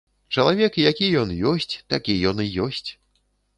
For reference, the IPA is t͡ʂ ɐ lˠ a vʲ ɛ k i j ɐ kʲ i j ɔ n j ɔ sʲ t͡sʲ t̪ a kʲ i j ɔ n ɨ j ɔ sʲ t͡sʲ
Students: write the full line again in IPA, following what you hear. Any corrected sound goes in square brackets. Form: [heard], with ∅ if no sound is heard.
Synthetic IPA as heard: t͡ʂ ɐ lˠ a vʲ ɛ k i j [a] kʲ i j ɔ n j ɔ sʲ t͡sʲ t̪ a kʲ i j ɔ n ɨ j ɔ sʲ t͡sʲ